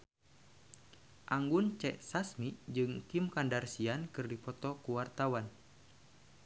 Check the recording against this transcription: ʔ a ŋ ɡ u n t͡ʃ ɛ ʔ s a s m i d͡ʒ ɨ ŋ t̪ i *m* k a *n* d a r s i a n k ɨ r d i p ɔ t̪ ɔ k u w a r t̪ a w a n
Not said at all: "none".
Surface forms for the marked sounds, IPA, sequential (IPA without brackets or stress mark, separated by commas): m, n